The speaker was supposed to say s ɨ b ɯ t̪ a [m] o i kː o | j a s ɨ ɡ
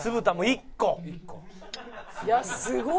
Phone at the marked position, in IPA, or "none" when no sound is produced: m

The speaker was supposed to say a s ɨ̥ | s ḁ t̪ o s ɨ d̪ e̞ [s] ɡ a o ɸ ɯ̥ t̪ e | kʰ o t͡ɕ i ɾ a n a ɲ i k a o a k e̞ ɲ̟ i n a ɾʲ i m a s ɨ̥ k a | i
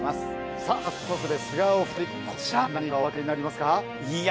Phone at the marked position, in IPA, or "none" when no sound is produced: s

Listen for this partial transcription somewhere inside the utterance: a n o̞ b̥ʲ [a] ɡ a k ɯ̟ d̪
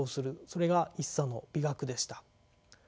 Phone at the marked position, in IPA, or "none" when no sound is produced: i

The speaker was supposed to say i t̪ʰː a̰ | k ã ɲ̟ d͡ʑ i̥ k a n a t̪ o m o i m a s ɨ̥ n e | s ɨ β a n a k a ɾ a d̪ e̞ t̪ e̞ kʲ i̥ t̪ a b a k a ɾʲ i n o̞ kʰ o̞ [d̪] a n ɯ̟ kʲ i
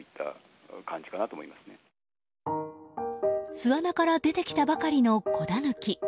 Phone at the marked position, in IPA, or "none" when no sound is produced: d̪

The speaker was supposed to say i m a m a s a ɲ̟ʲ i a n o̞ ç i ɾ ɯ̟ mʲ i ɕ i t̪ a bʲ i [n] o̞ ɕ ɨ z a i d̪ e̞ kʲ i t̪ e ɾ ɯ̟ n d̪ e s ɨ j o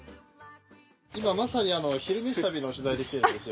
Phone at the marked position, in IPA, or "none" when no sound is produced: n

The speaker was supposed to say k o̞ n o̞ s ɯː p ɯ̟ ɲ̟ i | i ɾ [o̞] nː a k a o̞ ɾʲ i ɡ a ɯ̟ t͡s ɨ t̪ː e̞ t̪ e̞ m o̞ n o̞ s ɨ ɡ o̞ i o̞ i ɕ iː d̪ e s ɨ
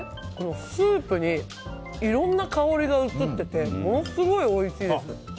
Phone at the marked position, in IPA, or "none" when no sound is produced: õ̞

